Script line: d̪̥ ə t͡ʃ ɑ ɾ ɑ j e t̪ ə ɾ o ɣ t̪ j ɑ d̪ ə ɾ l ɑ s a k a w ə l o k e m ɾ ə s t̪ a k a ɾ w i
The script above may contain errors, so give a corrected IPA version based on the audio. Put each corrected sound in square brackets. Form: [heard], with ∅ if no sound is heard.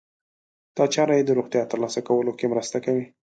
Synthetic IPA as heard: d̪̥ [ɑ] t͡ʃ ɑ ɾ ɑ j e [d̪] ə ɾ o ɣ t̪ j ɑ [t̪] ə ɾ l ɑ s a k a w ə l o k e m ɾ ə s t̪ a k a [∅] w i